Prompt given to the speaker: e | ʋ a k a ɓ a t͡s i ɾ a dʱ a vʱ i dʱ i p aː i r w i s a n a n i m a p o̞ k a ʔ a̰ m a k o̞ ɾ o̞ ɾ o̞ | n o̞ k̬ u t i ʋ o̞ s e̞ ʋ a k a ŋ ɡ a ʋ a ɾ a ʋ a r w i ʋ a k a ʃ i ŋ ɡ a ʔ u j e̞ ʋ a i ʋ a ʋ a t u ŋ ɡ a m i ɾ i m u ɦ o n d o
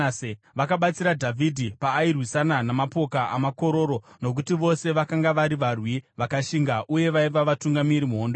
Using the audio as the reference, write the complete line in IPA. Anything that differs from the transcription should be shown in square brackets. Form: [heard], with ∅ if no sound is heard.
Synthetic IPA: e | ʋ a k a ɓ a t͡s i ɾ a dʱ a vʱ i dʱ i p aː i r w i s a n a n [a] m a p o̞ k a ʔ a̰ m a k o̞ ɾ o̞ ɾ o̞ | n o̞ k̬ u t i ʋ o̞ s e̞ ʋ a k a ŋ ɡ a ʋ a ɾ [i] ʋ a r w i ʋ a k a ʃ i ŋ ɡ a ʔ u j e̞ ʋ a i ʋ a ʋ a t u ŋ ɡ a m i ɾ i m u ɦ o n d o